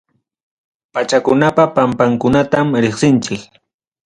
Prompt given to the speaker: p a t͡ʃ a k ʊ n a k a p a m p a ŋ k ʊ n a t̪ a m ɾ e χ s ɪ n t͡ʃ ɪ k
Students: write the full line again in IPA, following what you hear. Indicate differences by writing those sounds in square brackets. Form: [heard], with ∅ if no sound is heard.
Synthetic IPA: p a t͡ʃ a k ʊ n a [p] a p a m p a ŋ k ʊ n a t̪ a m ɾ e χ s ɪ n t͡ʃ ɪ k